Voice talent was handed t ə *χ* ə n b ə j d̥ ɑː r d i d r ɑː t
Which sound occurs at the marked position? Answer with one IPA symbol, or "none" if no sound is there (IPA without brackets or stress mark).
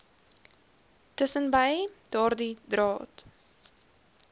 s